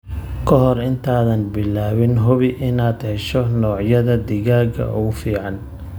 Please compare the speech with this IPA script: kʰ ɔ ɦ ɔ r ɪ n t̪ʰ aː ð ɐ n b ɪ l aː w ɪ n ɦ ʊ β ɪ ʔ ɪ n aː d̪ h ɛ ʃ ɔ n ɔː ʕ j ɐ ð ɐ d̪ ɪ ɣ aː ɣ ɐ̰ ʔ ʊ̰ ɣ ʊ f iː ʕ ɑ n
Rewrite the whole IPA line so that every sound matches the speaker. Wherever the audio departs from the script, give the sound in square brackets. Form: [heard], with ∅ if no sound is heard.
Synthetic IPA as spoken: kʰ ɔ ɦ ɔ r ɪ n t̪ʰ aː ð ɐ n b ɪ l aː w ɪ n ɦ ʊ β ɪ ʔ ɪ n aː d̪ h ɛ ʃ ɔ n ɔː ʕ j ɐ ð ɐ d̪ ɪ ɣ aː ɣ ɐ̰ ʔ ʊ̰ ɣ ʊ f iː ʕ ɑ n

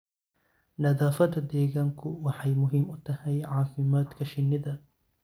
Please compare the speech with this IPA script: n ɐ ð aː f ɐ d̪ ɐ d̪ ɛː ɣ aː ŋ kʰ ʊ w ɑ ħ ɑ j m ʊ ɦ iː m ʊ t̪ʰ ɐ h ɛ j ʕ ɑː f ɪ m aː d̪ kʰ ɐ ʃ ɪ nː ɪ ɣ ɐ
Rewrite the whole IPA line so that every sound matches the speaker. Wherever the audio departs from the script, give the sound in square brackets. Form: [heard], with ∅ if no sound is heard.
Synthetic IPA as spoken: n ɐ ð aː f ɐ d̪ ɐ d̪ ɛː ɣ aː ŋ kʰ ʊ w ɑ ħ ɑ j m ʊ ɦ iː m ʊ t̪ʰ ɐ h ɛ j ʕ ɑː f ɪ m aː d̪ kʰ ɐ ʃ ɪ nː ɪ [ð] ɐ

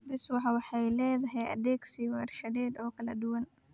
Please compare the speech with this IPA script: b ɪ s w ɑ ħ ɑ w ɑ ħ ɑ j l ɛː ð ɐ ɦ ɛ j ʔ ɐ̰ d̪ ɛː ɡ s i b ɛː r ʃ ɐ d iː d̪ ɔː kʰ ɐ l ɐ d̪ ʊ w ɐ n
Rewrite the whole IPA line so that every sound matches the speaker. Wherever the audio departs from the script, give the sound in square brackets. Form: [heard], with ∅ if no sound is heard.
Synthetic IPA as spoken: b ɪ s w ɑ ħ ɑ w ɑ ħ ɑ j l ɛː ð ɐ ɦ ɛ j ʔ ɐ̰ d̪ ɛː ɡ s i [w] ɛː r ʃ ɐ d [ɛː] d̪ ɔː kʰ ɐ l ɐ d̪ ʊ w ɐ n

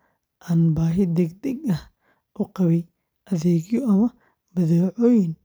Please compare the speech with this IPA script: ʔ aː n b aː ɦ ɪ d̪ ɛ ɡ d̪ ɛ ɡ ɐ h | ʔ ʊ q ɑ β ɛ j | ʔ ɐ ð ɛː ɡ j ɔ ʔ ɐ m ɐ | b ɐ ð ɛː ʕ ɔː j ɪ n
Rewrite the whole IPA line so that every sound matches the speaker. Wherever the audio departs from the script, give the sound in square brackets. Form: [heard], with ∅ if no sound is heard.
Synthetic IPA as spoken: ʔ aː n b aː ɦ ɪ d̪ ɛ ɡ d̪ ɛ ɡ ɐ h | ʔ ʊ q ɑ β ɛ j | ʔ ɐ ð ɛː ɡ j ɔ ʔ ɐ m ɐ | b ɐ ð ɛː ʕ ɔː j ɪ n

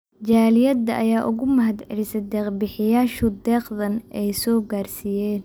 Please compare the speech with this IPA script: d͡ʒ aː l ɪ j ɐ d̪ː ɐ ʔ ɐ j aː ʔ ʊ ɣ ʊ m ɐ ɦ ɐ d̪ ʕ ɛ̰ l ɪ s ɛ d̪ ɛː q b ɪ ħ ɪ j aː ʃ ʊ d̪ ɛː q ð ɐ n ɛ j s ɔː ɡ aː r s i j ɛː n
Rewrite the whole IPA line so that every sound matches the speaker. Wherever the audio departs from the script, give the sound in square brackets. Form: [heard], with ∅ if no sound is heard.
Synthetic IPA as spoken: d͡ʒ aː l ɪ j ɐ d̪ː ɐ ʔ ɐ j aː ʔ ʊ ɣ ʊ m ɐ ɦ ɐ d̪ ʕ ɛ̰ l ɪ s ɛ d̪ ɛː q b ɪ ħ ɪ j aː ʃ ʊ d̪ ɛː q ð ɐ n ɛ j s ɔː ɡ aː r s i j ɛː n

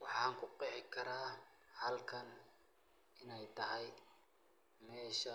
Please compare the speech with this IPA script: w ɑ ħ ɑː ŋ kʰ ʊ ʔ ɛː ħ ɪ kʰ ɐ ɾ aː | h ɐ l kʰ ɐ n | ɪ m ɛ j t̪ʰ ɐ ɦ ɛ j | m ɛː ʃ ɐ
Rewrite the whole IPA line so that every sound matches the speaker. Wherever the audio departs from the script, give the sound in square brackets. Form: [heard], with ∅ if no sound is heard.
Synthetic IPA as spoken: w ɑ ħ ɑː ŋ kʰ ʊ [q] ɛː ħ ɪ kʰ ɐ ɾ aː | h ɐ l kʰ ɐ n | ɪ [n] ɛ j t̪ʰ ɐ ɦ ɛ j | m ɛː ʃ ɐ

